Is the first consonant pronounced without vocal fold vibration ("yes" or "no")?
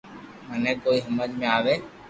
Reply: no